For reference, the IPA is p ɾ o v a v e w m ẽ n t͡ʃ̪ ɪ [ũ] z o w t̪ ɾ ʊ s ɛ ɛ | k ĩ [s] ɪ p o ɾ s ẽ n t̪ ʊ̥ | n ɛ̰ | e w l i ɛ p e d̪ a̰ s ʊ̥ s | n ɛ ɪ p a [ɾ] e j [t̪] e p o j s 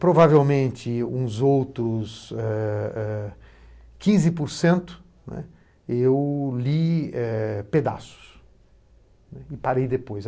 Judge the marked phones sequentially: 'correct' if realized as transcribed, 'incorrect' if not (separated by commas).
correct, incorrect, correct, incorrect